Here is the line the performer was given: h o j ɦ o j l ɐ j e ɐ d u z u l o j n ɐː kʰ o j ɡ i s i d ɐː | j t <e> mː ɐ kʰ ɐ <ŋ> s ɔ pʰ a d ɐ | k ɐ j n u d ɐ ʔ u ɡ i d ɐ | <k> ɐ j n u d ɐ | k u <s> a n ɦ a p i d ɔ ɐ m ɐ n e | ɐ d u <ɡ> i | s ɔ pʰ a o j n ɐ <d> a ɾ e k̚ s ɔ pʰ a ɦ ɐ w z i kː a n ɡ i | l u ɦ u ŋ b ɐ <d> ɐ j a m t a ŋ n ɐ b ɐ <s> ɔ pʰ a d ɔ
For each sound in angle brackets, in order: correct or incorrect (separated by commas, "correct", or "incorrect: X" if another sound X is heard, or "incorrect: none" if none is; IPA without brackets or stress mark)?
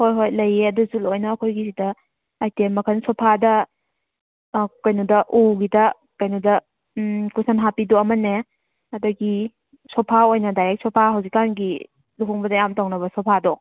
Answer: correct, incorrect: n, correct, correct, correct, correct, correct, correct